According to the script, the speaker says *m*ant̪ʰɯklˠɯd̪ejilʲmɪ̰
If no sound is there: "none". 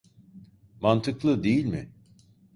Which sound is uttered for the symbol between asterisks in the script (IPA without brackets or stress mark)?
m